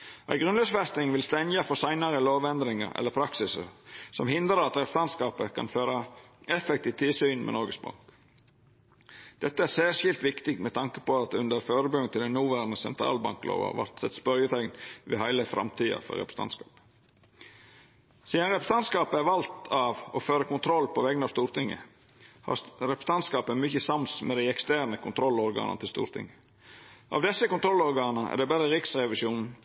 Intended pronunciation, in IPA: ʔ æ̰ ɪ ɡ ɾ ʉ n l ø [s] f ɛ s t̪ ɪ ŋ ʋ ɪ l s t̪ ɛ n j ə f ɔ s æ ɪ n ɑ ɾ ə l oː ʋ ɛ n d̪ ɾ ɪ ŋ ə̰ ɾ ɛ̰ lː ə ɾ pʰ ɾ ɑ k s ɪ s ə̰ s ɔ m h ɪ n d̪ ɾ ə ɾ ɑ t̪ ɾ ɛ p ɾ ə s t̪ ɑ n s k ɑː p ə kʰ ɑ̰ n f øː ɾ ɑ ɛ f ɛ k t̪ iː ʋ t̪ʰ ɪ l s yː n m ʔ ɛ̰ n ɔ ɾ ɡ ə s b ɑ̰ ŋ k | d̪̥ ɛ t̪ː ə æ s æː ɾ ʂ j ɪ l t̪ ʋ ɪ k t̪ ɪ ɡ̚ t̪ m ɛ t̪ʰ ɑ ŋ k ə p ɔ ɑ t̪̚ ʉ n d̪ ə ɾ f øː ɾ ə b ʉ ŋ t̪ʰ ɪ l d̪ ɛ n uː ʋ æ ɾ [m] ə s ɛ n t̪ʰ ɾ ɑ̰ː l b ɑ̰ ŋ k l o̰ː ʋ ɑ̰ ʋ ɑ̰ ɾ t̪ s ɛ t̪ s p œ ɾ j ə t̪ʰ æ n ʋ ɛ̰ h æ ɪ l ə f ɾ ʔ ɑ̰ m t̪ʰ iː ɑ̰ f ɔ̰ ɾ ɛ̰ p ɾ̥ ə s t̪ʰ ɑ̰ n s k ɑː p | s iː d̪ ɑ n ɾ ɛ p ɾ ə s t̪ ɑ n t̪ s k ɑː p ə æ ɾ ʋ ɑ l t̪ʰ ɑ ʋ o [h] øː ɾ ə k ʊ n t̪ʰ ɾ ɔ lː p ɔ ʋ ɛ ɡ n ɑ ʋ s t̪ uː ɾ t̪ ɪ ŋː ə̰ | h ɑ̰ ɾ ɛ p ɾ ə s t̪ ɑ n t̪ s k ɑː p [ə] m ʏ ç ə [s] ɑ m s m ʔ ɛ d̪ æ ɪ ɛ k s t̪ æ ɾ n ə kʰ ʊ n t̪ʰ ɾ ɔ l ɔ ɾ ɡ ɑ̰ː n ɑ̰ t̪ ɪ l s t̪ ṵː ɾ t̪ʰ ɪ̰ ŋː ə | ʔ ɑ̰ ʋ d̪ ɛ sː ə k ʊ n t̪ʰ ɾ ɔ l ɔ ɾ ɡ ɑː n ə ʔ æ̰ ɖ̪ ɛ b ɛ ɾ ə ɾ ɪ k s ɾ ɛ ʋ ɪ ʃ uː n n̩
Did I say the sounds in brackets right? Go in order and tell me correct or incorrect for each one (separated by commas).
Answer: correct, incorrect, incorrect, correct, correct